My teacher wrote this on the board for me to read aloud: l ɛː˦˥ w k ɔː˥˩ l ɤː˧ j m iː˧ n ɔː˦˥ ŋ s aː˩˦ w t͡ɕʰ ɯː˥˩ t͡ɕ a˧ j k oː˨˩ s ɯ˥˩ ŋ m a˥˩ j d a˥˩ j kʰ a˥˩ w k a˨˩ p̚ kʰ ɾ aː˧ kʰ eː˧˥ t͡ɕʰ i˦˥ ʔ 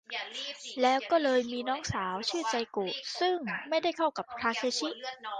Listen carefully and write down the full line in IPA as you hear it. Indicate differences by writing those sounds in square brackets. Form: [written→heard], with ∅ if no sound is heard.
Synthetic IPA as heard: l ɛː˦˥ w k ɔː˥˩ l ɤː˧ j m iː˧ n ɔː˦˥ ŋ s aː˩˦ w t͡ɕʰ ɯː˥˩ t͡ɕ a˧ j k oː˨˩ s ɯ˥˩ ŋ m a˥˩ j d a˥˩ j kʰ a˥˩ w k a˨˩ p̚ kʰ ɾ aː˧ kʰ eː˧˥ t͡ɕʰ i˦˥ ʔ